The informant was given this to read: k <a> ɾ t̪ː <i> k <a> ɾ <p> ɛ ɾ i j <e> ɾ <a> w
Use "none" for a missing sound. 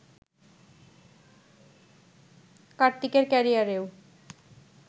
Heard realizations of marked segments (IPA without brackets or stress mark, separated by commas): a, i, e, k, a, e